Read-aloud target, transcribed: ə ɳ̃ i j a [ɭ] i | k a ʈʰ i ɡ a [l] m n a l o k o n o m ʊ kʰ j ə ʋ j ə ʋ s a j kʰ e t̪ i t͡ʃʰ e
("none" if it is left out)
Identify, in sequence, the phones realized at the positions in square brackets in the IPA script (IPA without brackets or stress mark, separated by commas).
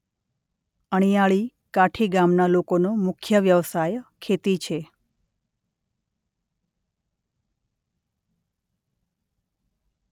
ɭ, none